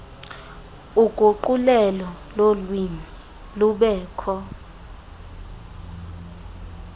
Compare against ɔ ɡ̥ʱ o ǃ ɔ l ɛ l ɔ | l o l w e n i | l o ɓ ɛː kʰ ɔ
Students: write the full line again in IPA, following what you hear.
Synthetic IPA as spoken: u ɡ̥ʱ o ǃ u l ɛ l ɔ | l o l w i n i | l u ɓ ɛː kʰ ɔ